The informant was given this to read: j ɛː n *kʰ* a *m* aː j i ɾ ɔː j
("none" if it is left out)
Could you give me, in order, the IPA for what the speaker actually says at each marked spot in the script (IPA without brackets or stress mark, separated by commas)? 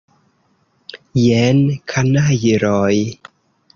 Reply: kʰ, n